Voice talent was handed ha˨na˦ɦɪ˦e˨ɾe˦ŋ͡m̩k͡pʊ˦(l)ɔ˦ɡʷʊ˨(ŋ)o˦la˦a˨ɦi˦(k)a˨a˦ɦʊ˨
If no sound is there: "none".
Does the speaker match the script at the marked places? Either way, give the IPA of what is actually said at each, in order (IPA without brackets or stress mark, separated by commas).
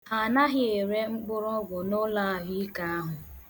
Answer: ɾ, n, k